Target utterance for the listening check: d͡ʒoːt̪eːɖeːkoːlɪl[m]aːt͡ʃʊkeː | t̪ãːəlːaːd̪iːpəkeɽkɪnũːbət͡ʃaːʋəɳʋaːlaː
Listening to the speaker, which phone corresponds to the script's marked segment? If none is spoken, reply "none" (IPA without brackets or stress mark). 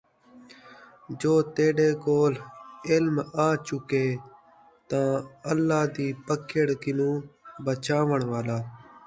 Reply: m